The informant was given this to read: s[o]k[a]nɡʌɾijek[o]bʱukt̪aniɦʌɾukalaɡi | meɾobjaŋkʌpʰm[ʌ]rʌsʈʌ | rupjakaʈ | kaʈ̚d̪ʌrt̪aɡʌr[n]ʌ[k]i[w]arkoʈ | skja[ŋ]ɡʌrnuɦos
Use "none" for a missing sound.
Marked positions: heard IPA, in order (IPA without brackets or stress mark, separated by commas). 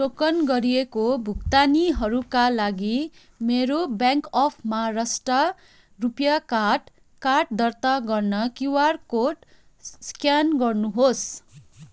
o, ʌ, o, a, n, k, w, n